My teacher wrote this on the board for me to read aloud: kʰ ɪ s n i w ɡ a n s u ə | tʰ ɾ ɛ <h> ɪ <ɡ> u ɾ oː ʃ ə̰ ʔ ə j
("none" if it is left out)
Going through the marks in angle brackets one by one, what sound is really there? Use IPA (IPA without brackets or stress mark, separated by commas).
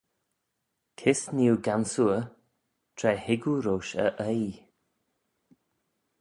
h, ɡ